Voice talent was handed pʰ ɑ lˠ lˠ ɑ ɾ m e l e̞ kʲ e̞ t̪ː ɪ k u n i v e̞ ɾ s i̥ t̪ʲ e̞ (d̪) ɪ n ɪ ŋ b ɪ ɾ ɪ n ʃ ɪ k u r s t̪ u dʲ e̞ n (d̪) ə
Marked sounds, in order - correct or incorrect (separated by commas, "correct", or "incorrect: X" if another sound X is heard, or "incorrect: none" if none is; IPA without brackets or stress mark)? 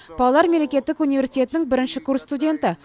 incorrect: t̪, incorrect: t̪